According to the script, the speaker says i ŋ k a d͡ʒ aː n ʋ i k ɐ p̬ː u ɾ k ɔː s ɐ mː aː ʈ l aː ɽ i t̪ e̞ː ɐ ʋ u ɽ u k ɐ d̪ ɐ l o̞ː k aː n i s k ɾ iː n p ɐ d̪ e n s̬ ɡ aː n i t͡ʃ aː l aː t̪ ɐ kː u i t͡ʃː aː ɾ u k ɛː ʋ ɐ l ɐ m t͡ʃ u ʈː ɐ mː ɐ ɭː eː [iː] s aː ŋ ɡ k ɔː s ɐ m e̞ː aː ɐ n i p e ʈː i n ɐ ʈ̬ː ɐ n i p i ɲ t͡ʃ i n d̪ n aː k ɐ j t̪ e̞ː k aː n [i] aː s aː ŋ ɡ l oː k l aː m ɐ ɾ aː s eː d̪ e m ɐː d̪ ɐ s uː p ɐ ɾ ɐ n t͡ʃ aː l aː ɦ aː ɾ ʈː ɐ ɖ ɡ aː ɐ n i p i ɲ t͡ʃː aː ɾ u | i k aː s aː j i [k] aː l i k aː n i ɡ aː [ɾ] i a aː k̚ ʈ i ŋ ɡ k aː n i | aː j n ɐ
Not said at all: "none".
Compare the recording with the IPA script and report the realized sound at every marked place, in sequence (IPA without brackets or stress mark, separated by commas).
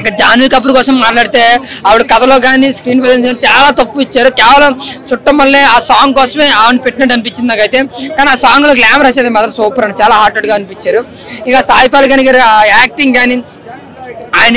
aː, i, p, ɾ